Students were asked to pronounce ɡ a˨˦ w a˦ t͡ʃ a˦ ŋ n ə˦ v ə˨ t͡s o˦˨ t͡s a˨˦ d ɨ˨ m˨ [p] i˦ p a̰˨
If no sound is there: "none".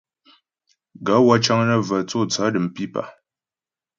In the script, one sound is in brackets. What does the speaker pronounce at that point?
p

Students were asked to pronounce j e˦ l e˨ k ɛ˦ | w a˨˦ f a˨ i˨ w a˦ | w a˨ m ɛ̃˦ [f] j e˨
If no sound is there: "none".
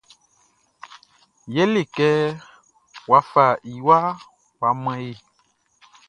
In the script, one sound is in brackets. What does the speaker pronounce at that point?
none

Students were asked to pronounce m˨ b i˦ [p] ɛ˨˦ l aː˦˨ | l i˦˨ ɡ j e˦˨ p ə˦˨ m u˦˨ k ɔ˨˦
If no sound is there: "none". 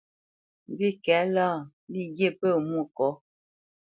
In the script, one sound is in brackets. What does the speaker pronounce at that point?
k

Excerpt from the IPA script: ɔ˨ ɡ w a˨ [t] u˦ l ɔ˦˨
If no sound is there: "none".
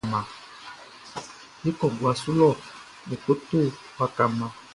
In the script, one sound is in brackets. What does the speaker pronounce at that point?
s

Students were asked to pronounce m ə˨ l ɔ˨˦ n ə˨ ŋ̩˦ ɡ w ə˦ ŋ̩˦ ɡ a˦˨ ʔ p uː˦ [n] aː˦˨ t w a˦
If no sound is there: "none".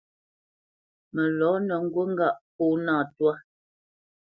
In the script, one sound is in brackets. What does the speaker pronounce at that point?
n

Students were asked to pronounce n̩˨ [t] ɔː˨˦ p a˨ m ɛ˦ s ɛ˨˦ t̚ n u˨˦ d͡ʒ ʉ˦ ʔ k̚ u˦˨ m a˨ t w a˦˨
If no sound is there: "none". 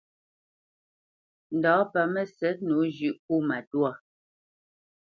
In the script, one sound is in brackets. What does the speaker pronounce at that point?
d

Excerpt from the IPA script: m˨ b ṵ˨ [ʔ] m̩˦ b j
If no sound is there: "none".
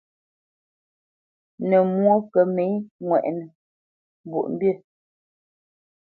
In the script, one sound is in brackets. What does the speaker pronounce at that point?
ʔ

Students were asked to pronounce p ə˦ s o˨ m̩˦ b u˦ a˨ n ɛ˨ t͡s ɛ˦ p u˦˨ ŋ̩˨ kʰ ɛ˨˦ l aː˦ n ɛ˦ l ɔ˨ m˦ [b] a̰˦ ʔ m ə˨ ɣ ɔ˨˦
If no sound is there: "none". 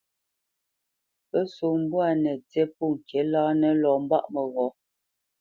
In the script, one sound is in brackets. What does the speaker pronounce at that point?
b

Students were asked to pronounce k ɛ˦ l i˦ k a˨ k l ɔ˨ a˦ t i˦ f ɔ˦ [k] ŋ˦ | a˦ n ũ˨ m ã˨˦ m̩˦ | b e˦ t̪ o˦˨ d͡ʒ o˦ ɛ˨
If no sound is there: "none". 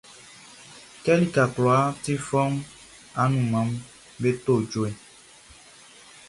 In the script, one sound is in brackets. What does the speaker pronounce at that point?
none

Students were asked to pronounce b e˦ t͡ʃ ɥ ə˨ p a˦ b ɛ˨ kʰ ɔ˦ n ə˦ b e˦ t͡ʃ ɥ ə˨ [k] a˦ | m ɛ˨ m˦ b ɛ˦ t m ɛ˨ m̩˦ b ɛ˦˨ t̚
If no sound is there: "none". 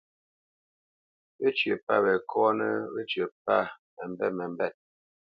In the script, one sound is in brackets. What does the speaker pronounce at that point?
p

